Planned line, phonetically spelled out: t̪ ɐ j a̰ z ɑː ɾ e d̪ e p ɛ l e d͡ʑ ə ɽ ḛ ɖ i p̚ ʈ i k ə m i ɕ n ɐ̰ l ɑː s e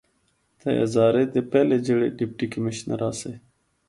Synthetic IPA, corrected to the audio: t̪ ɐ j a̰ z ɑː ɾ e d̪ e p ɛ l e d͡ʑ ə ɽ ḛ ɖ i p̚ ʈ i k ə m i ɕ n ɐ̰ ɾ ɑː s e

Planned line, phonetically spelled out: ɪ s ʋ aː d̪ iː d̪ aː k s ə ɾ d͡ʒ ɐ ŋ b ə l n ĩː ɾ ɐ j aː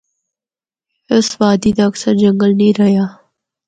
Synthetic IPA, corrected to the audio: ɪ s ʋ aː d̪ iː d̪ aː k s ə ɾ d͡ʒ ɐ ŋ ɡ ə l n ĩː ɾ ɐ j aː

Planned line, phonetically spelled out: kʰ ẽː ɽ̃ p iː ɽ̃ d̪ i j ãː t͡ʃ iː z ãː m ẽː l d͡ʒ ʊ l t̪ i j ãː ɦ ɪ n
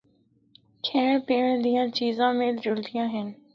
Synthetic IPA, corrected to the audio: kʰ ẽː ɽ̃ p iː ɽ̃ d̪ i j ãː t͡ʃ iː z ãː m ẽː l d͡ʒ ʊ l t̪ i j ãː ɦ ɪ n

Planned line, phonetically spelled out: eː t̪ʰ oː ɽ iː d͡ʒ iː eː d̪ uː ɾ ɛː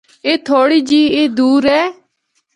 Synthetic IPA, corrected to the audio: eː t̪ʰ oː ɽ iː d͡ʒ iː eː d̪ uː ɾ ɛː

